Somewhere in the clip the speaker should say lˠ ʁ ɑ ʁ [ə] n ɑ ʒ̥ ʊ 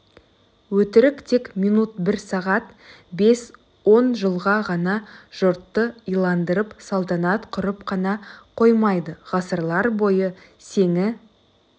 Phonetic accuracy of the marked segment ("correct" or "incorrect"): incorrect